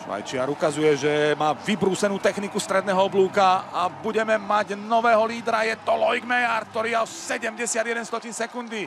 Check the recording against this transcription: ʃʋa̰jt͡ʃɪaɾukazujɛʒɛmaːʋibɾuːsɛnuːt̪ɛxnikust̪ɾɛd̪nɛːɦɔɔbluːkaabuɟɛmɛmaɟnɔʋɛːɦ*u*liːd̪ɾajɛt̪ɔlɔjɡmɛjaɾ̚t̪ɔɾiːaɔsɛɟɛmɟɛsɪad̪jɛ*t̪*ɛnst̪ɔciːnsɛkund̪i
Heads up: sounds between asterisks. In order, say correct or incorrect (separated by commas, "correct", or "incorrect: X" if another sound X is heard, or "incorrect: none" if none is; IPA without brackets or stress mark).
incorrect: ɔ, incorrect: d̪